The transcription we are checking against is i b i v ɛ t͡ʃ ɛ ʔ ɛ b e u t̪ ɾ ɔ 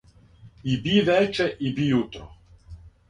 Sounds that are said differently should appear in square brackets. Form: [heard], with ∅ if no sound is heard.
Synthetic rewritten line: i b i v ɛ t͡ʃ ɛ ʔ [i] b [i] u t̪ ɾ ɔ